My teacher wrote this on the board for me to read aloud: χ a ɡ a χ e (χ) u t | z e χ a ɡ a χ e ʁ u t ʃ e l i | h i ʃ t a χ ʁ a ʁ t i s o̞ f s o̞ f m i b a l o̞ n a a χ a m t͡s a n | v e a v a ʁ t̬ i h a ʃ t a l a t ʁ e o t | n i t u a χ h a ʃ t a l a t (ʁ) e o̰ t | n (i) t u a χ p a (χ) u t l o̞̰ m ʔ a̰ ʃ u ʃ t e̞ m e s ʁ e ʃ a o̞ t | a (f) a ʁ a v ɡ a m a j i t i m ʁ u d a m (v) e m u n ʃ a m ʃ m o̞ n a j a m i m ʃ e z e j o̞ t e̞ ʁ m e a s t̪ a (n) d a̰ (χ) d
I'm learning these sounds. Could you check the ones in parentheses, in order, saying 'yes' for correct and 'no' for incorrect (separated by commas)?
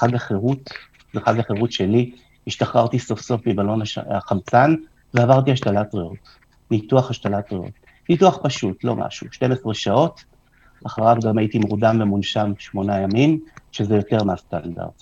no, yes, yes, no, no, yes, yes, no